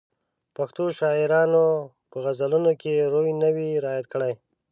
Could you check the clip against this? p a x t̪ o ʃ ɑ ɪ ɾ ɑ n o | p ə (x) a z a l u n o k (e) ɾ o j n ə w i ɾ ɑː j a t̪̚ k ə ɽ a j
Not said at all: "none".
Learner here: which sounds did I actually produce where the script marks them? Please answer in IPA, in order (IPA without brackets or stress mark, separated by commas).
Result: ɣ, e